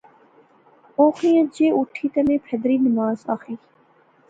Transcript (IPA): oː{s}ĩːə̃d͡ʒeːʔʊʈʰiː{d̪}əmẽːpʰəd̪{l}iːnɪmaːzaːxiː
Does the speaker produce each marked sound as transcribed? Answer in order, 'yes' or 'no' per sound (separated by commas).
no, no, no